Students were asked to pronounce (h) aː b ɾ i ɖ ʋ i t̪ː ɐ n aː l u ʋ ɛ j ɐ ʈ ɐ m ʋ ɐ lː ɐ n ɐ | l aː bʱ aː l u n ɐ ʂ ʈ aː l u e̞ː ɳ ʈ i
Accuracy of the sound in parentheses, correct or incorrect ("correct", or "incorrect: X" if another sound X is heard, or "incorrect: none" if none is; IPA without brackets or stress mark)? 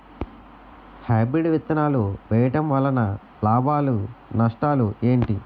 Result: correct